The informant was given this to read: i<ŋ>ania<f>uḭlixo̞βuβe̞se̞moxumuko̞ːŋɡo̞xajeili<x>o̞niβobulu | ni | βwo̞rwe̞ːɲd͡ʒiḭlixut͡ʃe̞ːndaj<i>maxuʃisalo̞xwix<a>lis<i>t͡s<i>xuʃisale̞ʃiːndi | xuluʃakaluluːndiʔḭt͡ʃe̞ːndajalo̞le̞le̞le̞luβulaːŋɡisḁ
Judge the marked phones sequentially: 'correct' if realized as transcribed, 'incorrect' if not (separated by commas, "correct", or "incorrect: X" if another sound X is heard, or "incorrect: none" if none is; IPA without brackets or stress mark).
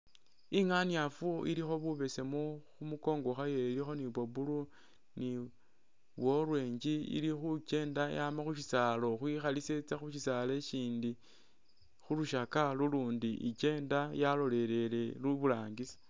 correct, correct, correct, incorrect: a, correct, incorrect: e, incorrect: a